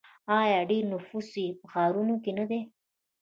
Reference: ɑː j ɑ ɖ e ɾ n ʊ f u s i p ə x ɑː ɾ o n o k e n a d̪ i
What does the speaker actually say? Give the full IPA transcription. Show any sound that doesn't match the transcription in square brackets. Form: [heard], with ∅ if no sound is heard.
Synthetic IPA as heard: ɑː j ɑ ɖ e ɾ n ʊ f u s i p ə x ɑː ɾ [u] n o k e n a d̪ [e]